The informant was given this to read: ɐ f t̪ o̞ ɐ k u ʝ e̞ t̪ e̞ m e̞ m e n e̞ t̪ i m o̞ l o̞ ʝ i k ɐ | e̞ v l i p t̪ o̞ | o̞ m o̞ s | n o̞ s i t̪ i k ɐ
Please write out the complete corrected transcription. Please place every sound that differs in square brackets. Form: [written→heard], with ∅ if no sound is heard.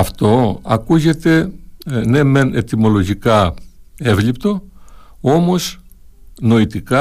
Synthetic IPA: ɐ f t̪ o̞ ɐ k u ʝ e̞ t̪ e̞ [m→n] e̞ m e n e̞ t̪ i m o̞ l o̞ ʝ i k ɐ | e̞ v l i p t̪ o̞ | o̞ m o̞ s | n o̞ [s→∅] i t̪ i k ɐ